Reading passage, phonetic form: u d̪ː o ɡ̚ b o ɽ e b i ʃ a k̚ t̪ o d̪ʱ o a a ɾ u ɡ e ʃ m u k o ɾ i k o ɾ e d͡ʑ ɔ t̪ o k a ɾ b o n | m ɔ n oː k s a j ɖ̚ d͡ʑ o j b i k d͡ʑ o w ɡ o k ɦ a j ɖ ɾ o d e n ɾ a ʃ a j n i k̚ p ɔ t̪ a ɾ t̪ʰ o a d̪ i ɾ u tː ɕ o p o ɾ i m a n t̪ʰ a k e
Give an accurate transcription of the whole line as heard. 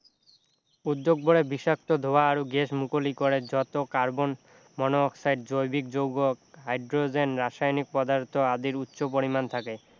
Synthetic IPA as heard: u d̪ː o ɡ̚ b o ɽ e b i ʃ a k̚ t̪ o d̪ʱ o a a ɾ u ɡ e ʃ m u k o l i k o ɾ e d͡ʑ ɔ t̪ o k a ɾ b o n | m ɔ n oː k s a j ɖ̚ d͡ʑ o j b i k d͡ʑ o w ɡ o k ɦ a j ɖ ɾ o d͡ʑ e n ɾ a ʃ a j n i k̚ p ɔ d̪ a ɾ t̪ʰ o a d̪ i ɾ u tː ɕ o p o ɾ i m a n t̪ʰ a k e